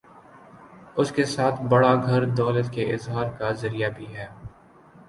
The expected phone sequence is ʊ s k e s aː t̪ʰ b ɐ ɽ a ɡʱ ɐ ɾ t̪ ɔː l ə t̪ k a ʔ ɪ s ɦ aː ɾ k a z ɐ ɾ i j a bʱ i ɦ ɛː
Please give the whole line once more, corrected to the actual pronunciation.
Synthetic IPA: ʊ s k e s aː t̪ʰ b ɐ ɽ a ɡʱ ɐ ɾ d̪ ɔː l ə t̪ k e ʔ ɪ z ɦ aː ɾ k a z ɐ ɾ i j a bʱ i ɦ ɛː